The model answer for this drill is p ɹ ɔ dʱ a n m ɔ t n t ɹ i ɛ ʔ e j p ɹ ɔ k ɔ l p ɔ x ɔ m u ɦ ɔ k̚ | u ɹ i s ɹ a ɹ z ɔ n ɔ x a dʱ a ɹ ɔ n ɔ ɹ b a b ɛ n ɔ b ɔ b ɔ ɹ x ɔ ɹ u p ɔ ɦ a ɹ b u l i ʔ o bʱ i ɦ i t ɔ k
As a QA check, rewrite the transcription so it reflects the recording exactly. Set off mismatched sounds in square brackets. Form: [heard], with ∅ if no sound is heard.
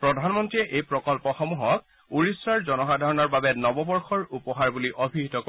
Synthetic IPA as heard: p ɹ ɔ dʱ a n m ɔ [∅] n t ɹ i ɛ ʔ e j p ɹ ɔ k ɔ l p ɔ x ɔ m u ɦ ɔ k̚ | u ɹ i s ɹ a ɹ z ɔ n ɔ x a dʱ a ɹ ɔ n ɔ ɹ b a b ɛ n ɔ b ɔ b ɔ ɹ x ɔ ɹ u p ɔ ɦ a ɹ b u l i ʔ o bʱ i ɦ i t ɔ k